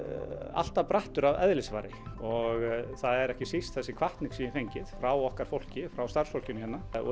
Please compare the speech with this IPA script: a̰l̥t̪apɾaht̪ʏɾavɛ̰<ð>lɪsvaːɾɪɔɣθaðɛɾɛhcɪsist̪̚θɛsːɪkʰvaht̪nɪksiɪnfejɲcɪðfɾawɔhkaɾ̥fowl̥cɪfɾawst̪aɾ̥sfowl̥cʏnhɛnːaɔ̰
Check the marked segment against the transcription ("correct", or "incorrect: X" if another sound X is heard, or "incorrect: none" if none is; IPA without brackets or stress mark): correct